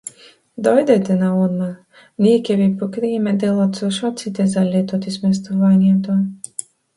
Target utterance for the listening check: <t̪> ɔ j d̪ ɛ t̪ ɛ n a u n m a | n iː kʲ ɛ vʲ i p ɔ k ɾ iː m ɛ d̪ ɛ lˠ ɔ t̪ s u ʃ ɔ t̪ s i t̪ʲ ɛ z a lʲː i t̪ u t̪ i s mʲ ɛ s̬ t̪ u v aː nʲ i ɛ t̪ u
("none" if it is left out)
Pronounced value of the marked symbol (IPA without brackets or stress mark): d̪